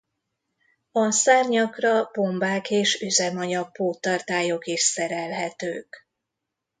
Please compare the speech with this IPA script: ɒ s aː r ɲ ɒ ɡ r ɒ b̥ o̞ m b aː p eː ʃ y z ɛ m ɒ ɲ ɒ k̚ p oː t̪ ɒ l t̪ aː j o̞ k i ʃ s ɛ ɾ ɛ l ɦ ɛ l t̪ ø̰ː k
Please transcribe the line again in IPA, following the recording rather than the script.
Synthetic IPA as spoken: ɒ s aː r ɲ ɒ k r ɒ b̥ o̞ m b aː k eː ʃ y z ɛ m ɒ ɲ ɒ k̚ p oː t̪ ɒ r t̪ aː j o̞ k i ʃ s ɛ ɾ ɛ l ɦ ɛ t̪ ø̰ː k